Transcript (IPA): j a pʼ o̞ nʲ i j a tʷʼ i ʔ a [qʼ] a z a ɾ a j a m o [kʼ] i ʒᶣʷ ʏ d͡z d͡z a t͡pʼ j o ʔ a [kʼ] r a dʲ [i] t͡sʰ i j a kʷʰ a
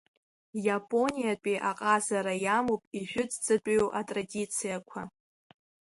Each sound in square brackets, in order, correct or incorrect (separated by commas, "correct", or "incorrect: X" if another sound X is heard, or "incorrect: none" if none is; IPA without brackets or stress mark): correct, incorrect: pʼ, incorrect: tʼ, correct